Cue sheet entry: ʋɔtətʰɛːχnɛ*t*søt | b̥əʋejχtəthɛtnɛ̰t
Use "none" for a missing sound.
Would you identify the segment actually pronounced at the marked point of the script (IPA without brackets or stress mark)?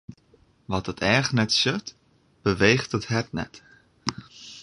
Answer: t